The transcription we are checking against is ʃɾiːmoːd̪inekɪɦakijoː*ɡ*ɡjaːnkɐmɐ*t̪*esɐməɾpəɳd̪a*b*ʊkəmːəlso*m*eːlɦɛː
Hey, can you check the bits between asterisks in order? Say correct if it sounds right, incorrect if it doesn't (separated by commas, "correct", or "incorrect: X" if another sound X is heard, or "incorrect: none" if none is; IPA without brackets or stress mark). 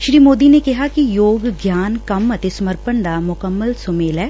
correct, correct, incorrect: m, correct